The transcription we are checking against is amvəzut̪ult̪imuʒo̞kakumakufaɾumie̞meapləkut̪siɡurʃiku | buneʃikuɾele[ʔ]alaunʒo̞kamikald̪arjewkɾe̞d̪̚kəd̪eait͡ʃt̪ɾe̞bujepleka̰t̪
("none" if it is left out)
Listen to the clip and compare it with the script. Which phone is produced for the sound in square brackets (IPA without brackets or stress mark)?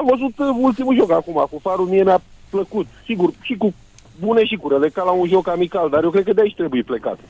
k